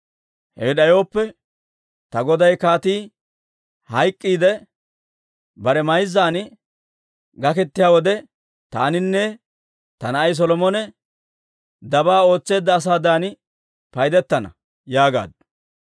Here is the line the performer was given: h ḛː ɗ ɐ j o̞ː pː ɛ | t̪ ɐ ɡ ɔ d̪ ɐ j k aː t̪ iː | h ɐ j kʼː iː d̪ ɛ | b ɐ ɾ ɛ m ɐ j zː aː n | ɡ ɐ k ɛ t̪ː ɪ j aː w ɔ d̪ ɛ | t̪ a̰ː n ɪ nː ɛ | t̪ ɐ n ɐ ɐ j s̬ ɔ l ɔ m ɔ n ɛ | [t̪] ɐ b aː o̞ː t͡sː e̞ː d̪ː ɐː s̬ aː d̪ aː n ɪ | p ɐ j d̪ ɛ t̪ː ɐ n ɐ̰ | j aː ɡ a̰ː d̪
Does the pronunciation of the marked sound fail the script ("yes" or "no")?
yes